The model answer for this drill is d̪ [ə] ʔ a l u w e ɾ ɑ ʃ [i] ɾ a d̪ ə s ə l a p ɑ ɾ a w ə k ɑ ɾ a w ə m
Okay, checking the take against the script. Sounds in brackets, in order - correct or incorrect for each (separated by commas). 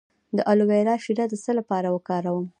correct, correct